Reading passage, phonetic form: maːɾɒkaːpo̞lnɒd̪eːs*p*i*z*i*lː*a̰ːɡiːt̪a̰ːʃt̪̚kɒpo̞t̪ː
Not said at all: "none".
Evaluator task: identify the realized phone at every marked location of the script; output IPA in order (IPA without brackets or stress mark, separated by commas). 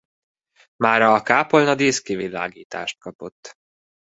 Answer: k, v, l